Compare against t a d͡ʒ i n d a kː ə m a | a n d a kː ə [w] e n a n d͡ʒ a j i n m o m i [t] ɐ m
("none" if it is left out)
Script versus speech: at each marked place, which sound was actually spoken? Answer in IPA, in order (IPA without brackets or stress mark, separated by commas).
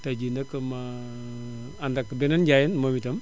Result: b, t